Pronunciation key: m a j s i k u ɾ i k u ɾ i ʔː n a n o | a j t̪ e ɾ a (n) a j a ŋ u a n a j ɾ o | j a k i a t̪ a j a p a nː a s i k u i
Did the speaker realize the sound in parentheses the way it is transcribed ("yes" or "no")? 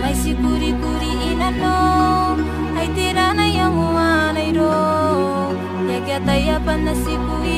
yes